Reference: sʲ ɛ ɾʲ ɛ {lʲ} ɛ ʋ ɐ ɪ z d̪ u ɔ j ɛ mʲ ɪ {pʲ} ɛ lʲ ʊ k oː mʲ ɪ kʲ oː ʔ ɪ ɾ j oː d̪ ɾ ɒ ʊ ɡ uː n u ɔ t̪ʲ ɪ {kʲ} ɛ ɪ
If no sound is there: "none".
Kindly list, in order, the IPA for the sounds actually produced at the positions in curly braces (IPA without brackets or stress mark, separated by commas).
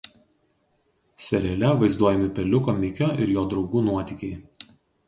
lʲ, pʲ, kʲ